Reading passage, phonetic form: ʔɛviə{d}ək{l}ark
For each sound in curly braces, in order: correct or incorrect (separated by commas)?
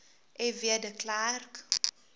correct, correct